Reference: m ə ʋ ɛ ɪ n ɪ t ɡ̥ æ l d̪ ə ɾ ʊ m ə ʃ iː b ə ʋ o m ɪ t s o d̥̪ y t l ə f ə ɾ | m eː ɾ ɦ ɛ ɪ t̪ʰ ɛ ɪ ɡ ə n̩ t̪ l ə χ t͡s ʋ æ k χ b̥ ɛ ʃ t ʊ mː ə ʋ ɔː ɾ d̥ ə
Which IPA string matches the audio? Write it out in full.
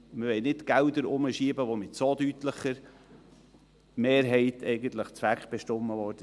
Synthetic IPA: m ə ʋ ɛ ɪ n ɪ t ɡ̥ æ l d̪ ə ɾ ʊ m ə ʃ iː b ə ʋ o m ɪ t s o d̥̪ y t l ə χ ə ɾ | m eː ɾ ɦ ɛ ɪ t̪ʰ ɛ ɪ ɡ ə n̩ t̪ l ə χ t͡s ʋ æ k χ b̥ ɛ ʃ t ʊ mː ə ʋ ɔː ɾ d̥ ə